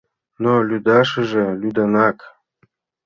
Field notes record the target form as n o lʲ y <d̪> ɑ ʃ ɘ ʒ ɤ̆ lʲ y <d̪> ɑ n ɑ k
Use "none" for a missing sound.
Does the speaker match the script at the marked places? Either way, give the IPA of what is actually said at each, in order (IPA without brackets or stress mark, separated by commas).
d̪, d̪